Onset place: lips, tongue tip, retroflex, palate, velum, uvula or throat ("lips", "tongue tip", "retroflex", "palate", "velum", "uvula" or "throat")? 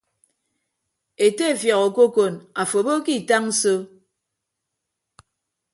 tongue tip